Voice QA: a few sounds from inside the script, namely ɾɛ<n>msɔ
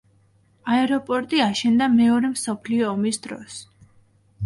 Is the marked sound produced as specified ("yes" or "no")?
no